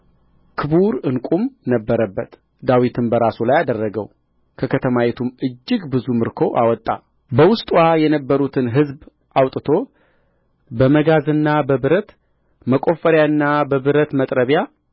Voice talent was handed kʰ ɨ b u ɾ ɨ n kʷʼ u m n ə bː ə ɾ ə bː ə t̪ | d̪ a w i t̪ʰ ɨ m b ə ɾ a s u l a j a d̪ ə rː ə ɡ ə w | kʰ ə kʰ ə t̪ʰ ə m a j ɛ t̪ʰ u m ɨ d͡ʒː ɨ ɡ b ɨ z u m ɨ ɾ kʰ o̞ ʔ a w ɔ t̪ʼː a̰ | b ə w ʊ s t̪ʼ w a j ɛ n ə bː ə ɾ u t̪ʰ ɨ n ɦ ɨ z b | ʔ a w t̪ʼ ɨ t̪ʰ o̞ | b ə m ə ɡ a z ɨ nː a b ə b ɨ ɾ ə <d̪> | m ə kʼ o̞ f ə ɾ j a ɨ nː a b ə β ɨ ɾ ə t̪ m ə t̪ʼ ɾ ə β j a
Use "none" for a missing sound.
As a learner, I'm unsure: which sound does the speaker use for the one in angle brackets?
t̪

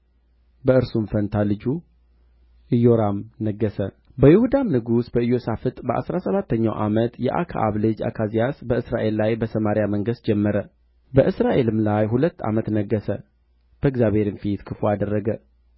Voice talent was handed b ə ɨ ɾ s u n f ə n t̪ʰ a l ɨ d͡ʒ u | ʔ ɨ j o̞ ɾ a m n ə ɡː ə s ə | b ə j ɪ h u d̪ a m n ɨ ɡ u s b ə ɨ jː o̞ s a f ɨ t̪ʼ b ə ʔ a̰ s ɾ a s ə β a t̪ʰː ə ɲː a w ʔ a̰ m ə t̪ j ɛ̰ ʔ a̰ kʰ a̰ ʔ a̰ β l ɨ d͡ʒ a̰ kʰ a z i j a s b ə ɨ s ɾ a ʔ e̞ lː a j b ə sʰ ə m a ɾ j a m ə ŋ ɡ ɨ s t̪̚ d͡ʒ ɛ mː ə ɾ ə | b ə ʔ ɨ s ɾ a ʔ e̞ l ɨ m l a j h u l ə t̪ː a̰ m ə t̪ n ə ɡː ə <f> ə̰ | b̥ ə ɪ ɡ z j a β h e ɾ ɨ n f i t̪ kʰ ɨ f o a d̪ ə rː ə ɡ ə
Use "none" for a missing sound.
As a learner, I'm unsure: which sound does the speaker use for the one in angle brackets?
s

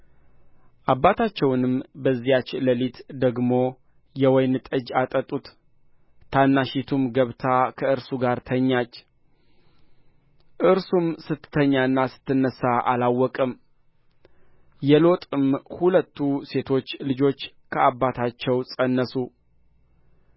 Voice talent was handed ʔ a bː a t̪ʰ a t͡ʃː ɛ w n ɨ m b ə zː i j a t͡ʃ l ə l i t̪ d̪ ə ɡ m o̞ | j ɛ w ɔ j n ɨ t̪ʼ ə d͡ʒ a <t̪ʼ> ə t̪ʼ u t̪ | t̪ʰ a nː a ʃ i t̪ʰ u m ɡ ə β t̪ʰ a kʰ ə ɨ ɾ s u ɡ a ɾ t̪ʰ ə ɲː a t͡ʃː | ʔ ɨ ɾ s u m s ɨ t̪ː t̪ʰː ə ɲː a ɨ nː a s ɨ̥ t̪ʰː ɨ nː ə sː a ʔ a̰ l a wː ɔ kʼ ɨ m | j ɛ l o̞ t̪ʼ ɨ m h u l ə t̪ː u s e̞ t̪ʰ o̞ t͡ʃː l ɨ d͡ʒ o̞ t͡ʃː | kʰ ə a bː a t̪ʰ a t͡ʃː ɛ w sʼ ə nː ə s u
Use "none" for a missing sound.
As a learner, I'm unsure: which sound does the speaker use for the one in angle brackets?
t̪ʼ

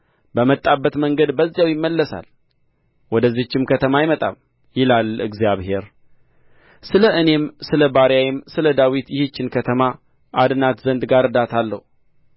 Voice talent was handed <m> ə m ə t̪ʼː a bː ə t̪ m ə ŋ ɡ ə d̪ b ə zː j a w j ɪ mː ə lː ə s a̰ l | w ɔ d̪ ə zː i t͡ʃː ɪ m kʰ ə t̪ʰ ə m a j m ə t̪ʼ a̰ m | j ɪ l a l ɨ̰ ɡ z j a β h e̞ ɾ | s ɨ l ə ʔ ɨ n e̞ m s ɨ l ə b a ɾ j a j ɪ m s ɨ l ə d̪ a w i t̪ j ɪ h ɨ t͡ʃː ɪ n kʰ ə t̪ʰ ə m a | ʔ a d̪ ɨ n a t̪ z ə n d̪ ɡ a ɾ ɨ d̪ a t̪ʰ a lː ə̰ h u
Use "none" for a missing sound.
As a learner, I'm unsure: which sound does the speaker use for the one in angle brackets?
b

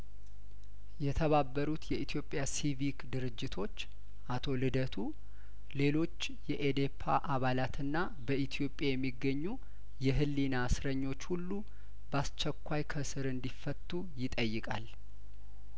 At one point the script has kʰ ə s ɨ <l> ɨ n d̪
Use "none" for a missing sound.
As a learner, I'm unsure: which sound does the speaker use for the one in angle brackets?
ɾ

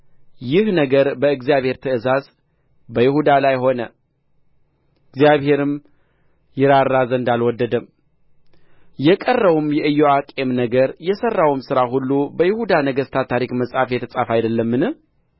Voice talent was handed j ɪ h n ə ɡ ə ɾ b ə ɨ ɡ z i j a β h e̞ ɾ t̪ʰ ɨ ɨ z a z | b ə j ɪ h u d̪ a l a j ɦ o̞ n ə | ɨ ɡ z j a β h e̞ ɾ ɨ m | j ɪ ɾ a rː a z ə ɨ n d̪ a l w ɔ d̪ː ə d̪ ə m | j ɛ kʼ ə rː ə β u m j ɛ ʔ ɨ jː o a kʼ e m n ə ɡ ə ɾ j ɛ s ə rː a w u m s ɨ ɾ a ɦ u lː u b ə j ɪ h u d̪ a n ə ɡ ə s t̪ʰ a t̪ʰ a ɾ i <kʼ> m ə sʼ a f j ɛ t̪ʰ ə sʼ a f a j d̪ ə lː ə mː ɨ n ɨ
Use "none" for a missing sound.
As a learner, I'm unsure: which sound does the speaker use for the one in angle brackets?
k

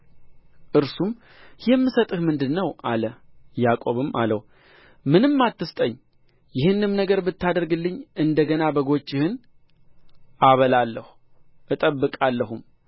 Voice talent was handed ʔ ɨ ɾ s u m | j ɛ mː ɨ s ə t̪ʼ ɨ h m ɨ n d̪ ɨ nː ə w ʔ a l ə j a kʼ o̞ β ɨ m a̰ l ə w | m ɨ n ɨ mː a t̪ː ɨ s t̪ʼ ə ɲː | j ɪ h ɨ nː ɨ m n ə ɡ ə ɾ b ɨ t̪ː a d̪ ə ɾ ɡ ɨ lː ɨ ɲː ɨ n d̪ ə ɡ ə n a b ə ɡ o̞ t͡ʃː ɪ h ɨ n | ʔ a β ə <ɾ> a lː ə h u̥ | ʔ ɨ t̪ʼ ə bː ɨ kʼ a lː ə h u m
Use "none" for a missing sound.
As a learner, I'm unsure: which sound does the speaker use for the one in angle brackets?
l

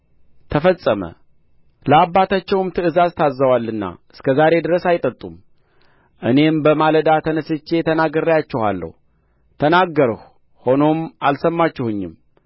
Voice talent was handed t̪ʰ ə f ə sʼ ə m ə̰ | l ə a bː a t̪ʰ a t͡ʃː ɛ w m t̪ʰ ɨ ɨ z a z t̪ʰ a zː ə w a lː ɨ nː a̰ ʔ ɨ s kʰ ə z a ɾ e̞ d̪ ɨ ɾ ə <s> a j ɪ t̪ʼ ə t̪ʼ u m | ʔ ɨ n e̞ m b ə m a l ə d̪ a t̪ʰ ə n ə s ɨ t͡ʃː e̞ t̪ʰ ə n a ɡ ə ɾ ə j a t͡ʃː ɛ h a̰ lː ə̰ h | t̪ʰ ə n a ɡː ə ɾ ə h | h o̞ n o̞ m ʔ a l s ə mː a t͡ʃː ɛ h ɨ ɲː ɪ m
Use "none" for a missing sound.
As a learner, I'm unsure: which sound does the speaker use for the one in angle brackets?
s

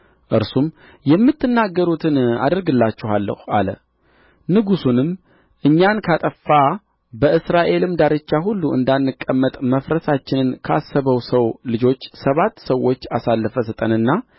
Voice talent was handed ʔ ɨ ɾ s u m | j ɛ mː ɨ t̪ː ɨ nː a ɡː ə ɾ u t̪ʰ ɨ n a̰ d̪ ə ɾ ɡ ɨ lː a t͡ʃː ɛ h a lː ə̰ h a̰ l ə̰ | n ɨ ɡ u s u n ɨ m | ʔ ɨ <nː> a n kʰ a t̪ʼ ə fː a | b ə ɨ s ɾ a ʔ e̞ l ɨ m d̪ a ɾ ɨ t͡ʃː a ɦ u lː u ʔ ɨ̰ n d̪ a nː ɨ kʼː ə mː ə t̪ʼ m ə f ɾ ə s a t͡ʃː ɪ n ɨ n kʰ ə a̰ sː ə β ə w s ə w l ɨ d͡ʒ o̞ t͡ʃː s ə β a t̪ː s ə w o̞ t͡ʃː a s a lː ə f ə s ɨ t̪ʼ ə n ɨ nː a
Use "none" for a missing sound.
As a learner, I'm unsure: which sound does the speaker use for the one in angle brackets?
ɲː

